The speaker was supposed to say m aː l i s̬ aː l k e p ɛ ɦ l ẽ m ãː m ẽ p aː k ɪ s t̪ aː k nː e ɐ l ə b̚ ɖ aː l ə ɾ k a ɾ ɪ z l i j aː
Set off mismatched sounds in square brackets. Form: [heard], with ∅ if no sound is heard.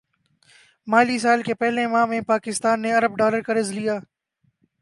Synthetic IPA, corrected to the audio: m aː l i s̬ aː l k e p ɛ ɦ l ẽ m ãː m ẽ p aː k ɪ s t̪ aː [∅] nː e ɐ [ɾ] ə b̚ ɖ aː l ə ɾ k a ɾ ɪ z l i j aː